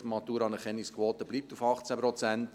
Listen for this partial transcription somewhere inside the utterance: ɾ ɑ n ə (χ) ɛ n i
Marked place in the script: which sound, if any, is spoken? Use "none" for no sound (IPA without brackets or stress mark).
χ